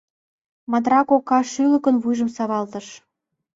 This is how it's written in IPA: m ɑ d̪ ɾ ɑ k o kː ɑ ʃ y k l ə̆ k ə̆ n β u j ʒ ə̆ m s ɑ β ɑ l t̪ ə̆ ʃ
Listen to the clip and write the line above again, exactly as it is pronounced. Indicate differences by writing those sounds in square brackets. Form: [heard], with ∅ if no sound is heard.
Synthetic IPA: m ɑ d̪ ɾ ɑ k o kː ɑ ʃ y [∅] l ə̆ k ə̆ n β u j ʒ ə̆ m s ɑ β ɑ l t̪ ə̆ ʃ